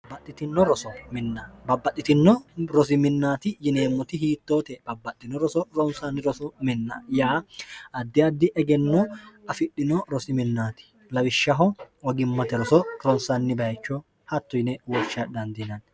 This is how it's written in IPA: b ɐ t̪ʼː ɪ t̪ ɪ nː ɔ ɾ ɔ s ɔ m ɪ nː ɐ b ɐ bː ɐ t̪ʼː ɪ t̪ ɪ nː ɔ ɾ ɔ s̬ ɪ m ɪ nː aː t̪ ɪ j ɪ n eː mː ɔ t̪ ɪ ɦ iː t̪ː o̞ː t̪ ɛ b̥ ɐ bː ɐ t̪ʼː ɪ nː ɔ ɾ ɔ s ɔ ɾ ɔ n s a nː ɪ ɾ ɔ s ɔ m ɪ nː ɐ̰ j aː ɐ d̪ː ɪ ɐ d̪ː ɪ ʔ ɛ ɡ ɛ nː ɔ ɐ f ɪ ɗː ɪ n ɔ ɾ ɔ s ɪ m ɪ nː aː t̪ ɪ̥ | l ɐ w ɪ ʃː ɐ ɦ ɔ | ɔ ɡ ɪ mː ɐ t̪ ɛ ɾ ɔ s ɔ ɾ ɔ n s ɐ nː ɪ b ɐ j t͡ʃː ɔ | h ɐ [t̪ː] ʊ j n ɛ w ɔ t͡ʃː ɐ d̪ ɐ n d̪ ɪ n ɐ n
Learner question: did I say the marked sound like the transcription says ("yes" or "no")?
yes